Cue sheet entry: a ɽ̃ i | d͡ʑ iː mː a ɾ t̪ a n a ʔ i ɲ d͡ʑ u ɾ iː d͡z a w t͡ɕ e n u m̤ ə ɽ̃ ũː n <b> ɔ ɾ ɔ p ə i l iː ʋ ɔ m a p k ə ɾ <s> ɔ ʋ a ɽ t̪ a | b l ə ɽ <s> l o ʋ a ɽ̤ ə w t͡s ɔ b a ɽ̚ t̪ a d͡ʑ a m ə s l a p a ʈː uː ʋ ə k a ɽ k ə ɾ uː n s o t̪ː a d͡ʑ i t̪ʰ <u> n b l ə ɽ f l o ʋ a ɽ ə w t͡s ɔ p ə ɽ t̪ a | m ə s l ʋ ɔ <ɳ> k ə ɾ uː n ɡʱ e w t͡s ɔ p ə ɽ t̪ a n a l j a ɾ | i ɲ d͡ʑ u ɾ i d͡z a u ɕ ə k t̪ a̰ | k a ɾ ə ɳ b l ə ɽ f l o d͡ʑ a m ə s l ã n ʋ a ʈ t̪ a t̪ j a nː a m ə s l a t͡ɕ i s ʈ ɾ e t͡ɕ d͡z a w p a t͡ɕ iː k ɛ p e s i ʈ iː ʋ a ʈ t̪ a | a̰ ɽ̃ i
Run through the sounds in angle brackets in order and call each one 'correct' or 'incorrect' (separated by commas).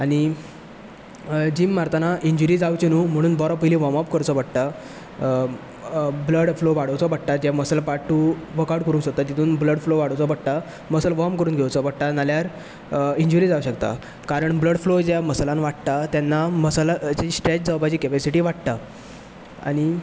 correct, incorrect, incorrect, incorrect, incorrect